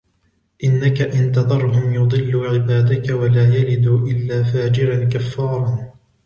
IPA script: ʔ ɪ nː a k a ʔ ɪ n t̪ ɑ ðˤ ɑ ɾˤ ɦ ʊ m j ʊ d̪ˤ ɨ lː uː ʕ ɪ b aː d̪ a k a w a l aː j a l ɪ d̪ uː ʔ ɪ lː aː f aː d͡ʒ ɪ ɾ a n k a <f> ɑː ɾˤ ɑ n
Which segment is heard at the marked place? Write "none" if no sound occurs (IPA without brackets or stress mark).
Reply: fː